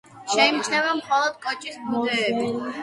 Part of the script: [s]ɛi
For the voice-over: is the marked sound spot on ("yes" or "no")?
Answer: no